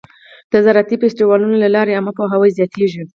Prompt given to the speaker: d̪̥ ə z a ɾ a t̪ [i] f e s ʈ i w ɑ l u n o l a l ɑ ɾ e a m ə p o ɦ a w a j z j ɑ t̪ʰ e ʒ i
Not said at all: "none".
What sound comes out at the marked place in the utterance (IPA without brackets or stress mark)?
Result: i